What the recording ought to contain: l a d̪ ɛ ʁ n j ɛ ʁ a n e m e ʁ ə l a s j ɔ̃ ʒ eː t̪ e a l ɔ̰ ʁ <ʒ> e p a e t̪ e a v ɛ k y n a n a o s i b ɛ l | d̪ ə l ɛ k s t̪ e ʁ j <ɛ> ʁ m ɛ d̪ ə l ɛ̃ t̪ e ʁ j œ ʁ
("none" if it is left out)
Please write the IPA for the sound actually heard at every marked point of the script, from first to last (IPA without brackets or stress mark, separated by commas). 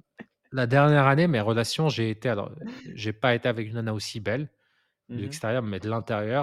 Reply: ʒ, œ